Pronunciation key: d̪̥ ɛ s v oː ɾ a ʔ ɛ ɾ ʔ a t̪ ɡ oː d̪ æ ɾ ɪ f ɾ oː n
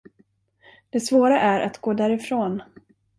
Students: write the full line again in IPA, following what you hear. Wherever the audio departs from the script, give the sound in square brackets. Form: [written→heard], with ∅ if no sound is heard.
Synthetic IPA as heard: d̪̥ ɛ s v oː ɾ a ʔ [ɛ→æ] ɾ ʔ a t̪ ɡ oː d̪ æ ɾ ɪ f ɾ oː n